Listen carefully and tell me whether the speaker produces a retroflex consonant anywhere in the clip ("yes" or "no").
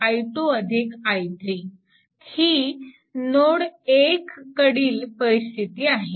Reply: yes